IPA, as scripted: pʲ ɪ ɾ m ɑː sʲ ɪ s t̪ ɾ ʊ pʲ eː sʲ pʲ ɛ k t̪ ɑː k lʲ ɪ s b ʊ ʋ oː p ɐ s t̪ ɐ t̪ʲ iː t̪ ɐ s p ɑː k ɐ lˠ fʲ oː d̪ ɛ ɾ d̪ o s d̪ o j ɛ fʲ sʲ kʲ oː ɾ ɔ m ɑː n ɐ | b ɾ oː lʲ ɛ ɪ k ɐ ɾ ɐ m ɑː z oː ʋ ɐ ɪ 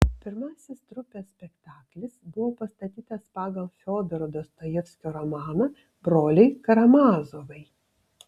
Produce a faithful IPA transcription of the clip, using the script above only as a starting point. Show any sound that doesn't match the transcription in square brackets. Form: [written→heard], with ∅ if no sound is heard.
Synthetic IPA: pʲ ɪ ɾ m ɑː sʲ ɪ s t̪ ɾ ʊ pʲ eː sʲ pʲ ɛ k t̪ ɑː k lʲ ɪ s b ʊ ʋ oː p ɐ s t̪ ɐ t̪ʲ iː t̪ ɐ s p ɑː [k→ɡ] ɐ lˠ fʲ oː d̪ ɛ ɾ d̪ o s [d̪→t̪] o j ɛ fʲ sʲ kʲ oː ɾ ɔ m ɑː n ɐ | b ɾ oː lʲ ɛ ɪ k ɐ ɾ ɐ m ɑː z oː ʋ ɐ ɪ